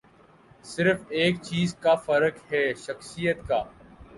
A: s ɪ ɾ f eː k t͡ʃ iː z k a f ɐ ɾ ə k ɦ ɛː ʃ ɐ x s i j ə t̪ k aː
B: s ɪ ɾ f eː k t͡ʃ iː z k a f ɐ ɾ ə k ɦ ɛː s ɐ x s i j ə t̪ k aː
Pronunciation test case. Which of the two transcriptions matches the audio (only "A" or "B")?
A